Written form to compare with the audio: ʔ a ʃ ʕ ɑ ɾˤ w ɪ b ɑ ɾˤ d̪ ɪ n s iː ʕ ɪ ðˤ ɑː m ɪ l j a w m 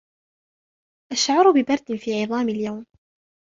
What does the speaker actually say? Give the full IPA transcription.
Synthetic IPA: ʔ a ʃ ʕ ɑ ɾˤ b ɪ b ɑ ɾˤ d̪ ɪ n f iː ʕ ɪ ðˤ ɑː m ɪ l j a w m